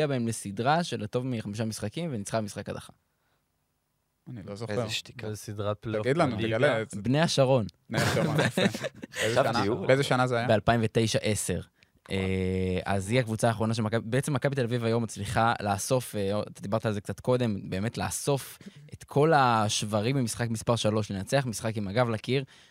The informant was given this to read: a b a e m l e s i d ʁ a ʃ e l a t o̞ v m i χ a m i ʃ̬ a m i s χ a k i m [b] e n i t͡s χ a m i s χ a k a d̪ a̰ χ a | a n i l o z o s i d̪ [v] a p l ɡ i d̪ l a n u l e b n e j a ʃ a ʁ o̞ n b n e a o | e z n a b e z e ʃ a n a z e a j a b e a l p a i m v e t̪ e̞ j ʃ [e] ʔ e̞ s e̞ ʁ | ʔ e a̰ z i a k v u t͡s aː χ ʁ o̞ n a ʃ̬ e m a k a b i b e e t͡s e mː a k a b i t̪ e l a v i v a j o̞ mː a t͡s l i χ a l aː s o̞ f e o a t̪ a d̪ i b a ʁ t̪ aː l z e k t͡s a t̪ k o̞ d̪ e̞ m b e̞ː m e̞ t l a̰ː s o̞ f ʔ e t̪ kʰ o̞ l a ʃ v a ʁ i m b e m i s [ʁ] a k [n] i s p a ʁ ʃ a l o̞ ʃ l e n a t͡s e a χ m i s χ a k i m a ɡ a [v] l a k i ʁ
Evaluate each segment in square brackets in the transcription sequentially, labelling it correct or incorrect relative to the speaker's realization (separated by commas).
incorrect, incorrect, incorrect, incorrect, incorrect, correct